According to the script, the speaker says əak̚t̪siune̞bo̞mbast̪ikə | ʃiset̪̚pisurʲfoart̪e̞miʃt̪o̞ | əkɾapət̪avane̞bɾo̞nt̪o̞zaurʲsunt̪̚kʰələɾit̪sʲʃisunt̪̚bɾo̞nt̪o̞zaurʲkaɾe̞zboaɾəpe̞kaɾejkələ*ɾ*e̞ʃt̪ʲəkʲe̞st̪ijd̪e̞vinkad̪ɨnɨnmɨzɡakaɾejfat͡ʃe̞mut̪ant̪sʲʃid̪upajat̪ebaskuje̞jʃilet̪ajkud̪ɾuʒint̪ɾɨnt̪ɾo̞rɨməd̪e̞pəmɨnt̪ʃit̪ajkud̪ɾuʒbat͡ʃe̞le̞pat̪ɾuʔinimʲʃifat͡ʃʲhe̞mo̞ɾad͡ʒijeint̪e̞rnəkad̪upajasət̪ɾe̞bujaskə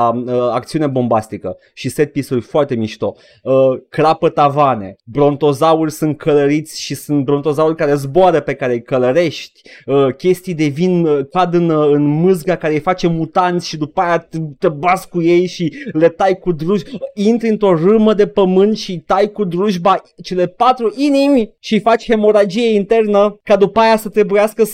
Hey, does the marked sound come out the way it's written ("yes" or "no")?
yes